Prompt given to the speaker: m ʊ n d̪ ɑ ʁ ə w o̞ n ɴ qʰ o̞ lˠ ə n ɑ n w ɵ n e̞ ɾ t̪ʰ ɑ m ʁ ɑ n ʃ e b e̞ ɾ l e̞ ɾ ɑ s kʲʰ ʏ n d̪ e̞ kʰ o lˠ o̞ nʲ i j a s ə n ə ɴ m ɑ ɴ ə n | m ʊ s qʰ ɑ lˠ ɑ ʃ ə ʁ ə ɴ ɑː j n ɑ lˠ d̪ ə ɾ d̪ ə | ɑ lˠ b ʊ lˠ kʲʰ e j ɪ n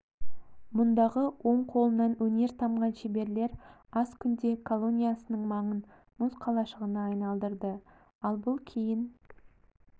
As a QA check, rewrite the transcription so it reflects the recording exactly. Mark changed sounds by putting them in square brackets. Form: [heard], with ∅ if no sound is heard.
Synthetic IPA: m ʊ n d̪ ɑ ʁ ə w o̞ [∅] ɴ qʰ o̞ lˠ ə n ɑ n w ɵ n e̞ ɾ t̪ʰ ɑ m ʁ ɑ n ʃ e b e̞ ɾ l e̞ ɾ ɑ s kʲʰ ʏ n d̪ e̞ kʰ o lˠ o̞ nʲ i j a s ə n ə ɴ m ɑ ɴ ə n | m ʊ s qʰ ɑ lˠ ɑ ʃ ə ʁ ə [n] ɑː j n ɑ lˠ d̪ ə ɾ d̪ ə | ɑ lˠ b ʊ lˠ kʲʰ e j ɪ n